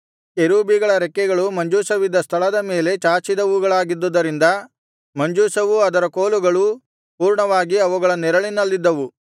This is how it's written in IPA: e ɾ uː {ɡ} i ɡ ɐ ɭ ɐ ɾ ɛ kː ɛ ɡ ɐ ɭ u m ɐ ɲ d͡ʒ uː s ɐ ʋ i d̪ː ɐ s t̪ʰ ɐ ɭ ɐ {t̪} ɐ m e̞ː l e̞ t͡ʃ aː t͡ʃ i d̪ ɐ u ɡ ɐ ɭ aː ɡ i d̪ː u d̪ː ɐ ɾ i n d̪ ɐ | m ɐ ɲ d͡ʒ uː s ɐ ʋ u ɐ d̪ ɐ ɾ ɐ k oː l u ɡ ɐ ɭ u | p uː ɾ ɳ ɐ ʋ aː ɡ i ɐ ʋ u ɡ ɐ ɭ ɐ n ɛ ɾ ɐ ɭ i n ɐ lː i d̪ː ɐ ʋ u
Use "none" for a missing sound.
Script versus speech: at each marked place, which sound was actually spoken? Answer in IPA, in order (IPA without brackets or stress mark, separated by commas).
b, d̪